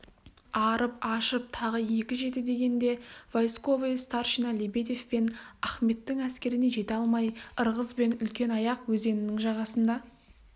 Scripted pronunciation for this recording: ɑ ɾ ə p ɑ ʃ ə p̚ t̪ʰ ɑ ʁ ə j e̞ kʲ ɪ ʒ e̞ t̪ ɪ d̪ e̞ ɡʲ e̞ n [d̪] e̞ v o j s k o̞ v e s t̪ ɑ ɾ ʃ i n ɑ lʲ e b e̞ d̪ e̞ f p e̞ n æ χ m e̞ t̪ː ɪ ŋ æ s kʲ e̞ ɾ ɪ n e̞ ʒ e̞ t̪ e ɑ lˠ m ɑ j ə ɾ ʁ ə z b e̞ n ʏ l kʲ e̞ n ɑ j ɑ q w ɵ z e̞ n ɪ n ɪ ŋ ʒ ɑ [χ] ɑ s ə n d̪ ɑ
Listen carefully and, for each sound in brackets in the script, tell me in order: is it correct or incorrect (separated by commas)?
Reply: correct, incorrect